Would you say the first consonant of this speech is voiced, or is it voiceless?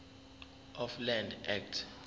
voiceless